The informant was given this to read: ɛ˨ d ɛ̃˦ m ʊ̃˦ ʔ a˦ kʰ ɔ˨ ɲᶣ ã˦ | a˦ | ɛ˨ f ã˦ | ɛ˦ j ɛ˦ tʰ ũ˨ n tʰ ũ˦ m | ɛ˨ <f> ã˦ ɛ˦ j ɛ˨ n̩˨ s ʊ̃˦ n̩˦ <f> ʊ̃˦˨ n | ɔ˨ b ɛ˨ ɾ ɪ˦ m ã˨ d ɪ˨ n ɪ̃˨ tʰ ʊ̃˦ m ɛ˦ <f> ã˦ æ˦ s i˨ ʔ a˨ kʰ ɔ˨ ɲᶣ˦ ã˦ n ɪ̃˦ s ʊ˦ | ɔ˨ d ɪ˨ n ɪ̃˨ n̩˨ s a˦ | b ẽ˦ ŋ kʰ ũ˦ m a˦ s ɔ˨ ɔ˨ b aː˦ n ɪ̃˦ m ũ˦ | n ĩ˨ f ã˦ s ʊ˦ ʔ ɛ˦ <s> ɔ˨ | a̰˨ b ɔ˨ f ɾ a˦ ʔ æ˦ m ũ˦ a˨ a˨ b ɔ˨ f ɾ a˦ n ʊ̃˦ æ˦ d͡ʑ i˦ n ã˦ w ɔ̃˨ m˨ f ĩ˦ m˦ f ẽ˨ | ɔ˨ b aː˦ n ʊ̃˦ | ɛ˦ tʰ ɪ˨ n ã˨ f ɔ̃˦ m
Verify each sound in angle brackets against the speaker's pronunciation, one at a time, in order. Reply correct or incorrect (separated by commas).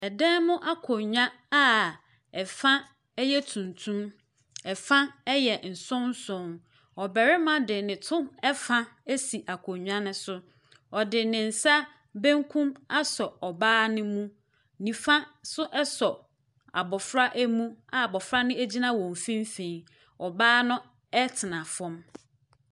correct, incorrect, correct, correct